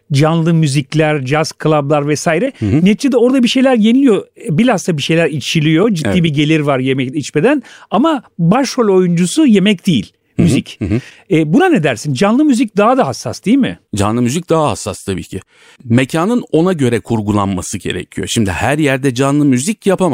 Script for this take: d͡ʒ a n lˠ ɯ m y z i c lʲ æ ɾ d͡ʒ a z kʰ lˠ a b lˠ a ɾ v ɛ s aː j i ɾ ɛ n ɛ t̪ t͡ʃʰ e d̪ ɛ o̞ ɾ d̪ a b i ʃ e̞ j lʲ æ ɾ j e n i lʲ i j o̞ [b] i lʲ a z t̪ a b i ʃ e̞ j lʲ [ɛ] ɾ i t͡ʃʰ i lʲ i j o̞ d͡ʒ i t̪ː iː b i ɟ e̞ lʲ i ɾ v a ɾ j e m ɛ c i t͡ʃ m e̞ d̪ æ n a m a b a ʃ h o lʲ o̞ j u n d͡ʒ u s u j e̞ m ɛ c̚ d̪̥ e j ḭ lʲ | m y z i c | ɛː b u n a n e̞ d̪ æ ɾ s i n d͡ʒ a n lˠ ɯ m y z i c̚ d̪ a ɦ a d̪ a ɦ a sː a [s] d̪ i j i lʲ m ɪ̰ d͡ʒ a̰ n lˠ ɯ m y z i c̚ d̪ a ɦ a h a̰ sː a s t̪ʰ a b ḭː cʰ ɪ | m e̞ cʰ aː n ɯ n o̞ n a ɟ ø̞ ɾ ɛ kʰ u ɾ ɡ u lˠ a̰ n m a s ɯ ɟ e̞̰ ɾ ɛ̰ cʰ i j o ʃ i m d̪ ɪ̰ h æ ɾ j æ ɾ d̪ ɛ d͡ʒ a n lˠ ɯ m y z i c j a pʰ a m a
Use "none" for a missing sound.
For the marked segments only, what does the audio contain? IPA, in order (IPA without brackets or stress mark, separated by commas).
b, æ, s